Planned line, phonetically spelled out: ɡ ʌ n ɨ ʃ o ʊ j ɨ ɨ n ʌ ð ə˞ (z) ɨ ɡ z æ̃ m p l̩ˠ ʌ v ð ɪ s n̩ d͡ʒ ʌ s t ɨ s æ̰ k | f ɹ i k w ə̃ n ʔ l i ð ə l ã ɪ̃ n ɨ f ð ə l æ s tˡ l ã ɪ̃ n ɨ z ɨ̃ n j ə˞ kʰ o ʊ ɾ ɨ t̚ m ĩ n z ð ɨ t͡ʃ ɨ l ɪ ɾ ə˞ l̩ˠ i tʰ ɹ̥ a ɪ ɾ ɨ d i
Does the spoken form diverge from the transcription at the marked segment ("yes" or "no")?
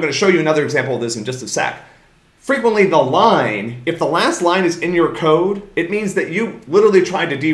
yes